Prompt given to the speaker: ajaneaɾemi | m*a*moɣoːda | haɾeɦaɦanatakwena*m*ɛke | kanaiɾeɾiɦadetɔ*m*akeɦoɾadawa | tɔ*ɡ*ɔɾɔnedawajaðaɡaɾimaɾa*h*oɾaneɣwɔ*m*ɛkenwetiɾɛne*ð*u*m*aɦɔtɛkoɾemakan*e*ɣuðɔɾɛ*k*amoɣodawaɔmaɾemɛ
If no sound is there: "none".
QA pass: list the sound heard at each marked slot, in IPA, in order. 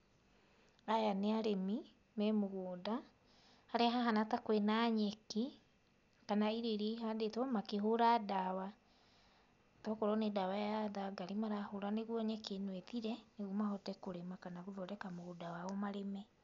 ɛ, ɲ, m, k, h, ɲ, ɣ, m, a, k

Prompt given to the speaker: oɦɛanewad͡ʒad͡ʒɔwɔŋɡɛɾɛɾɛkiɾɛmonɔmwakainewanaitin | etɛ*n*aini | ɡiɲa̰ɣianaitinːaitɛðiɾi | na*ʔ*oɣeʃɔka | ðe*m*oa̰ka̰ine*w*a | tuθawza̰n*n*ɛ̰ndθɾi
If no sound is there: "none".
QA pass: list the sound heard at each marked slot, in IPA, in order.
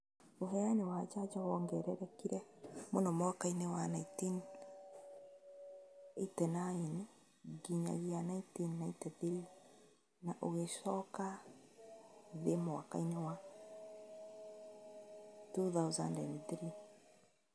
n, ʔ, m, w, d

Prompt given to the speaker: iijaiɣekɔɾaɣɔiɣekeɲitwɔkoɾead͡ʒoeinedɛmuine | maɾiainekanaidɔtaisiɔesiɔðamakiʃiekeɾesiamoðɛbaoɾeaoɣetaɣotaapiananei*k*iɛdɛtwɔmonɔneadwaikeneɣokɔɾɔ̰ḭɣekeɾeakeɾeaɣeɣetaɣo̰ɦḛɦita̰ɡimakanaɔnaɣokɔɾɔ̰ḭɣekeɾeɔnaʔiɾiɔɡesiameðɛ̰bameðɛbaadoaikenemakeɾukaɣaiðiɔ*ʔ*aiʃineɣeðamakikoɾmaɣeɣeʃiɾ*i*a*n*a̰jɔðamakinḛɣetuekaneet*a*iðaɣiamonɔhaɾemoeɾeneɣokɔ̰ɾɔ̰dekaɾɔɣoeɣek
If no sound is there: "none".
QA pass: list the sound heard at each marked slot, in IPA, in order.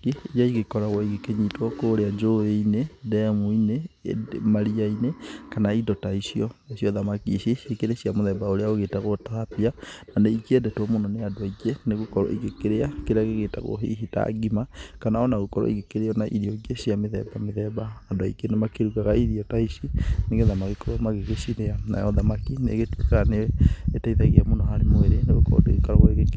k, t, e, n, a

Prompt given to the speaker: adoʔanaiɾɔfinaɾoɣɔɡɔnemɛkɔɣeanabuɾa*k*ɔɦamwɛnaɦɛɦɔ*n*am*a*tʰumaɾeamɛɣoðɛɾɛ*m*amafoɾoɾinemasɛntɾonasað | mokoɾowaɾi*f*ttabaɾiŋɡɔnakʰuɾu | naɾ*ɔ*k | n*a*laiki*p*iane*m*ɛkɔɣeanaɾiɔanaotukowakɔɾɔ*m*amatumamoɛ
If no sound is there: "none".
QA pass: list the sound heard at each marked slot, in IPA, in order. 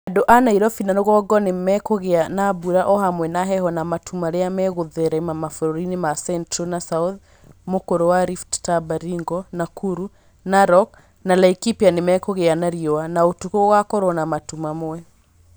ʔ, n, a, m, f, ɔ, a, p, m, n

